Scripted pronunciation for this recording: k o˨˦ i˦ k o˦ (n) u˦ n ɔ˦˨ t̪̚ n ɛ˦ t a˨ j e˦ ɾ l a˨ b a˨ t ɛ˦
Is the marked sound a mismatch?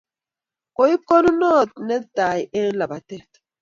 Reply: no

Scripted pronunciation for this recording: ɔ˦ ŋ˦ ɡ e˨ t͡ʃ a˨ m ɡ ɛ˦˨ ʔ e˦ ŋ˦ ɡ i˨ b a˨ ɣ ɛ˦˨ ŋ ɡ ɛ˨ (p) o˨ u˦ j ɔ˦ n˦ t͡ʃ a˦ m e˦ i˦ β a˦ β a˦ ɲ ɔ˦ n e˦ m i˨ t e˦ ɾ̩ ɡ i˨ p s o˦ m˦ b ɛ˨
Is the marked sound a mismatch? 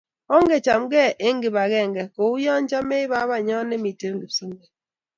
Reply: yes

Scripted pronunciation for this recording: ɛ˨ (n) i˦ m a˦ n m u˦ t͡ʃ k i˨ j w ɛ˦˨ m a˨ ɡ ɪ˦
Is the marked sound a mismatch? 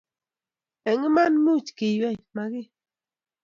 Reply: yes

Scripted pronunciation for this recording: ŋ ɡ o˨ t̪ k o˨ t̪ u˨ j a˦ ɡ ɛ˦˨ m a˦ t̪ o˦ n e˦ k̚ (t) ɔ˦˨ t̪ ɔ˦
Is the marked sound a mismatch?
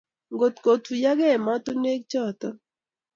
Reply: yes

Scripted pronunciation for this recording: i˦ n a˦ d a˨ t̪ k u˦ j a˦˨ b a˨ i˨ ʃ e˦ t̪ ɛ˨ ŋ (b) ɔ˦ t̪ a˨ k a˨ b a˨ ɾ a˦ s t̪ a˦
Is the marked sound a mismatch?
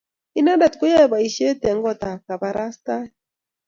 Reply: yes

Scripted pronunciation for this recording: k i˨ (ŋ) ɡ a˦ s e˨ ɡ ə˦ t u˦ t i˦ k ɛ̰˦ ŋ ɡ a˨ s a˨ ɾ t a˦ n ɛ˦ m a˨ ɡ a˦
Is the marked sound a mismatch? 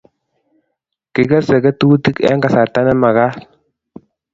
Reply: yes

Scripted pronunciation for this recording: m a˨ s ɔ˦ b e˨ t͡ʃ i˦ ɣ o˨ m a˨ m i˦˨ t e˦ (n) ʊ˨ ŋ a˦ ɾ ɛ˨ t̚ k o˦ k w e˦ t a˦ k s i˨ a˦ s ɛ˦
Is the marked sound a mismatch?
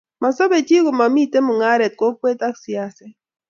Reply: yes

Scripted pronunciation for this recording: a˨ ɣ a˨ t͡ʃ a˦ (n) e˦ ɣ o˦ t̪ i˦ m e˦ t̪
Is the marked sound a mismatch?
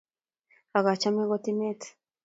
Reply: yes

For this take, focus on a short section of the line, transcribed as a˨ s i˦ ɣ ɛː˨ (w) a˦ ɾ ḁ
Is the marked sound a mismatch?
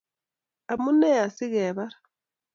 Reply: yes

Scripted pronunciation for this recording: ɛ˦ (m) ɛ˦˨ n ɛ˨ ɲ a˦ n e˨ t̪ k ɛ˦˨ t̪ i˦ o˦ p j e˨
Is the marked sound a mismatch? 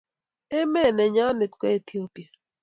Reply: no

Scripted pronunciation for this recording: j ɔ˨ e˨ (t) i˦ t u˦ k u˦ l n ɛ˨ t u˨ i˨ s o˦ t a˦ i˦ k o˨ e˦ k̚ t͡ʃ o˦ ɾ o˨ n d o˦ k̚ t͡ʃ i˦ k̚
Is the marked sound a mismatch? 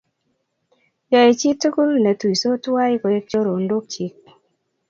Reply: yes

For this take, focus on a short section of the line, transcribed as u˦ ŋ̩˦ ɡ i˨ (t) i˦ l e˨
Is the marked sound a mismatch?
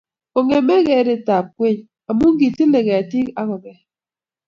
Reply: no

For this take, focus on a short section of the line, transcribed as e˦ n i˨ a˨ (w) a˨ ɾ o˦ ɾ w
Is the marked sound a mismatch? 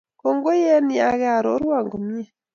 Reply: yes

